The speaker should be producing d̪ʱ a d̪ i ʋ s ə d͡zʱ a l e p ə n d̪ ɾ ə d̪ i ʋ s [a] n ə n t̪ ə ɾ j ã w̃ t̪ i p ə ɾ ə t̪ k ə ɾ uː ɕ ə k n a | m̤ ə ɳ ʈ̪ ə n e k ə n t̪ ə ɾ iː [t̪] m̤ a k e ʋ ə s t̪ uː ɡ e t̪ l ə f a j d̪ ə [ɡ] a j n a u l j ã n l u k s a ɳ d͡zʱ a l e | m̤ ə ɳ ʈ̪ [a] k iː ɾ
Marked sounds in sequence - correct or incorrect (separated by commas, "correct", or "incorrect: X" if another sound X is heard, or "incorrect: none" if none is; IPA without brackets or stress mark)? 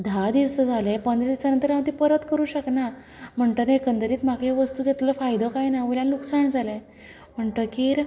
correct, correct, incorrect: k, incorrect: ə